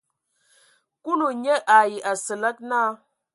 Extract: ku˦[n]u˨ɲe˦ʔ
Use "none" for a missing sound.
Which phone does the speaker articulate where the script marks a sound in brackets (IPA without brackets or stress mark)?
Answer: n